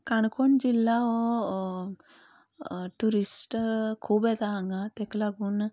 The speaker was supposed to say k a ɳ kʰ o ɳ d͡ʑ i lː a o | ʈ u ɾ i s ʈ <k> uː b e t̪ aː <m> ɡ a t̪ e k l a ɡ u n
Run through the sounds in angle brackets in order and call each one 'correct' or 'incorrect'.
incorrect, incorrect

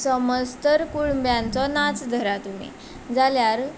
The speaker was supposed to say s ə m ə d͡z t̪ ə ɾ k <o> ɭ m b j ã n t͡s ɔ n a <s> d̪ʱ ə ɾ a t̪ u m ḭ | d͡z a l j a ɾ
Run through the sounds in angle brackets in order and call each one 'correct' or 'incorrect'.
incorrect, incorrect

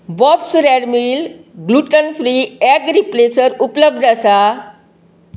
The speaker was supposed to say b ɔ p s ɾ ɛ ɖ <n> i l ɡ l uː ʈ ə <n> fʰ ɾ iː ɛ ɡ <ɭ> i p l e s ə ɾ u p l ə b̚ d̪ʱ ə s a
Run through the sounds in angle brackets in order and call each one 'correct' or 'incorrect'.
incorrect, correct, incorrect

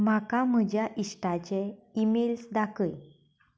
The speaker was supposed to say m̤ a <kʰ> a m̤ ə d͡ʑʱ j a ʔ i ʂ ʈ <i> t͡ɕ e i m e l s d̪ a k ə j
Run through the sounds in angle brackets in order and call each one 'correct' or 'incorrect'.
incorrect, incorrect

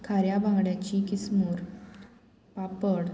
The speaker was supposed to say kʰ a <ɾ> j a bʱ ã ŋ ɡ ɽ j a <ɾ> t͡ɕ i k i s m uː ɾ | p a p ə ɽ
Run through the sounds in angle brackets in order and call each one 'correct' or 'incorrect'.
correct, incorrect

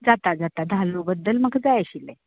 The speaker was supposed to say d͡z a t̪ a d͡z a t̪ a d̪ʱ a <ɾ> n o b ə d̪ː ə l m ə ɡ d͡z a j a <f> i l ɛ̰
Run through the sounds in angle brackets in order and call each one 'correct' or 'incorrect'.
incorrect, incorrect

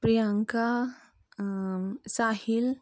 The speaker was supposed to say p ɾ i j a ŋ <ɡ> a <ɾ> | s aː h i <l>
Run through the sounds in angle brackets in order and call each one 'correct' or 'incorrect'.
incorrect, incorrect, correct

